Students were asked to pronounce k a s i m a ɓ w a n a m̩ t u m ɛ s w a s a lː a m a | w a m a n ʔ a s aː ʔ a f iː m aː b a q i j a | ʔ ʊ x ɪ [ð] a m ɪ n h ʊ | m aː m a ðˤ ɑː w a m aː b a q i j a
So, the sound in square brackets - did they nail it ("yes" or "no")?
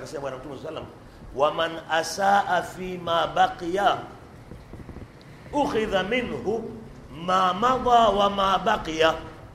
yes